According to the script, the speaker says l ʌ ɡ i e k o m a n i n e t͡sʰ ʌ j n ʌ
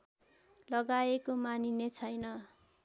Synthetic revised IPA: l ʌ ɡ a e k o m a n i n e t͡sʰ ʌ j n ʌ